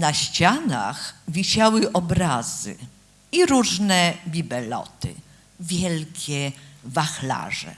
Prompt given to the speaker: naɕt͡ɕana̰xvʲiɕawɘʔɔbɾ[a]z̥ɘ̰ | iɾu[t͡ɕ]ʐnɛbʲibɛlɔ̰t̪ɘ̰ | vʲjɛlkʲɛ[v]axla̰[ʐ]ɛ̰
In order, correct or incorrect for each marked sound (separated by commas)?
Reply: correct, incorrect, correct, correct